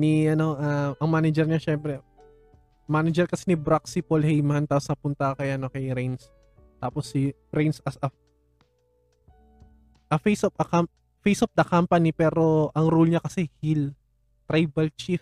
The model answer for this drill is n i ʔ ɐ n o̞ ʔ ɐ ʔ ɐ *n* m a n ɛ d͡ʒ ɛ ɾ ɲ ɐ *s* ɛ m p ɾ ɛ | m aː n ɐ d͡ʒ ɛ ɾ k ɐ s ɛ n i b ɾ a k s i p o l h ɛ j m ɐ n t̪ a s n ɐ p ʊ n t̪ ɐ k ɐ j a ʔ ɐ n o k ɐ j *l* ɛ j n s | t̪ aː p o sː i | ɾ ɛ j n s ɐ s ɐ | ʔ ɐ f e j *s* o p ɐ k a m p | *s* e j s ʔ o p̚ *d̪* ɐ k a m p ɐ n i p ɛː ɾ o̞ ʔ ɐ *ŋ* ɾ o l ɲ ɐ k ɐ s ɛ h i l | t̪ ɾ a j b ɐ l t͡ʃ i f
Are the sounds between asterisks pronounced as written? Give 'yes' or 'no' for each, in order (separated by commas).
no, no, no, yes, no, yes, yes